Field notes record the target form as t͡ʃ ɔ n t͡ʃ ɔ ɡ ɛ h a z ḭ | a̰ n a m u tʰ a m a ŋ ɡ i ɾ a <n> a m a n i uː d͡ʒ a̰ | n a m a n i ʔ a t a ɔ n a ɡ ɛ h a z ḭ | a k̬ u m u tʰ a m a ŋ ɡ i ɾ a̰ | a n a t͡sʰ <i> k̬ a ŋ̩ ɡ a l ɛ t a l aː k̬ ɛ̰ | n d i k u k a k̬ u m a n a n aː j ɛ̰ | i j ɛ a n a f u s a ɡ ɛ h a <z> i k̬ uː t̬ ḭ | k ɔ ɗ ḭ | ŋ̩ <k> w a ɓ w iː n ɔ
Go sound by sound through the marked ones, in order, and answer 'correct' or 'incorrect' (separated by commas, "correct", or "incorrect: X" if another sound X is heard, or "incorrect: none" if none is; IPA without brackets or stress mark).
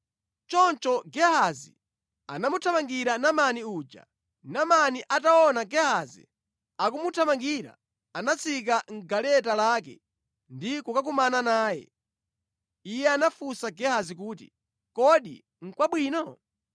correct, correct, correct, correct